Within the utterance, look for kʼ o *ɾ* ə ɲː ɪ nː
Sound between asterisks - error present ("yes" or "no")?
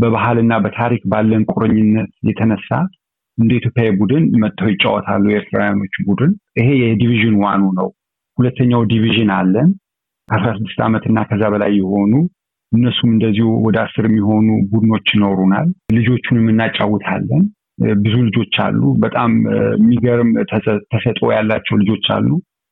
no